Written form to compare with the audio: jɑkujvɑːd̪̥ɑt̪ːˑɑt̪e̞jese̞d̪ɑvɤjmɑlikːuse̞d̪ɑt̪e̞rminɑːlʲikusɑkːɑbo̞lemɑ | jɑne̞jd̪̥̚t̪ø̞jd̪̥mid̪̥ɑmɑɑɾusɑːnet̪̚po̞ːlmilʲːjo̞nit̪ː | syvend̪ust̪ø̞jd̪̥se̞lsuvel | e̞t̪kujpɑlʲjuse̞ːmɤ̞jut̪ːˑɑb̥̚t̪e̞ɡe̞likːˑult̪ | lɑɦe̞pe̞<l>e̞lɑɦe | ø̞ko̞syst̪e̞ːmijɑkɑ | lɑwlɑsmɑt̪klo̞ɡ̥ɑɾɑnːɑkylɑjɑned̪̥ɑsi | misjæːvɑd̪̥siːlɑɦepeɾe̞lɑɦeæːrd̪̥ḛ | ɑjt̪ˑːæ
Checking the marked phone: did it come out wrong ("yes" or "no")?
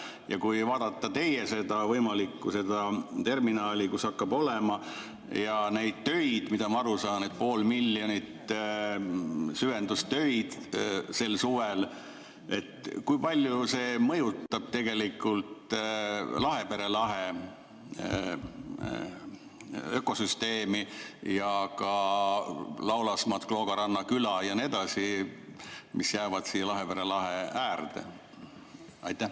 yes